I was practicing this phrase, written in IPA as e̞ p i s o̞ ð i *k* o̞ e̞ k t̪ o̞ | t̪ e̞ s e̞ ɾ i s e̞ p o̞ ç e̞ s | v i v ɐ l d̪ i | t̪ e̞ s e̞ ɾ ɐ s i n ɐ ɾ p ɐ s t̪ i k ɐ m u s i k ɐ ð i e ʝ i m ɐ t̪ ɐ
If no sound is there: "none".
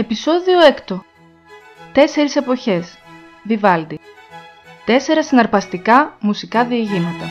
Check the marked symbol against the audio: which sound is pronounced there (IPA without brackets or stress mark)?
none